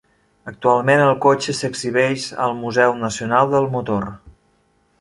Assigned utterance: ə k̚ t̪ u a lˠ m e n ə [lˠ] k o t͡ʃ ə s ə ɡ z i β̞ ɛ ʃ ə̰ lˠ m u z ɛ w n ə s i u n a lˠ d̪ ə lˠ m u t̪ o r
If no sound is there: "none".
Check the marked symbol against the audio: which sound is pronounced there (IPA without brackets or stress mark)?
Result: lˠ